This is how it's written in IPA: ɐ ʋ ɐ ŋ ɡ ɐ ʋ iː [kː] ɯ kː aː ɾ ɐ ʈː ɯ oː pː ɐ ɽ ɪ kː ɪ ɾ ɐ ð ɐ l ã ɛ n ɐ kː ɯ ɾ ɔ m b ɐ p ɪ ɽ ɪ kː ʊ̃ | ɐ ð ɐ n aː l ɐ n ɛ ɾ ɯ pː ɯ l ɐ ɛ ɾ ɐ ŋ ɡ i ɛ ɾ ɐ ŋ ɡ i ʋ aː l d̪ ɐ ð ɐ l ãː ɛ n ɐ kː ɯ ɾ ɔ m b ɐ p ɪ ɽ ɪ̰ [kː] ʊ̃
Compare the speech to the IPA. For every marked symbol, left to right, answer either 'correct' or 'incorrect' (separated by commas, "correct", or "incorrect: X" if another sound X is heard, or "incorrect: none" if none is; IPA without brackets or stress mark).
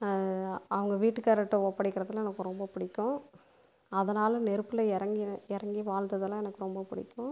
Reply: incorrect: ʈː, correct